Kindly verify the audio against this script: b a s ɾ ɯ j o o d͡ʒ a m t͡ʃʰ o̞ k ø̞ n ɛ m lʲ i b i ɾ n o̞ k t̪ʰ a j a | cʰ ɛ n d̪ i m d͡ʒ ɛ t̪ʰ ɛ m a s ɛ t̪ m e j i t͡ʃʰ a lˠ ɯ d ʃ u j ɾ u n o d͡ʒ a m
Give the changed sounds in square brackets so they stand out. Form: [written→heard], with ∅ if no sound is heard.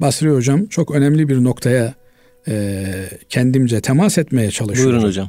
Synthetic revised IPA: b a s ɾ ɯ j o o d͡ʒ a m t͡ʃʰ o̞ k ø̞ n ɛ m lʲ i b i ɾ n o̞ k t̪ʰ a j a | cʰ ɛ n d̪ i m d͡ʒ ɛ t̪ʰ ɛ m a s ɛ t̪ m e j [i→ɛ] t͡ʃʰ a lˠ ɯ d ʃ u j ɾ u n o d͡ʒ a m